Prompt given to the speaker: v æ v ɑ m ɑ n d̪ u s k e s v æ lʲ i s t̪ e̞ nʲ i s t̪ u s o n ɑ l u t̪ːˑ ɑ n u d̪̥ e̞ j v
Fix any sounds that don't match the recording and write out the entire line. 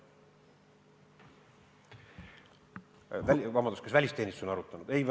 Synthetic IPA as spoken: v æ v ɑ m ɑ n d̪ u s k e s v æ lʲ i s t̪ e̞ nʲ i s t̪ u s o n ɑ ɾ u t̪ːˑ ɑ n u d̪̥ e̞ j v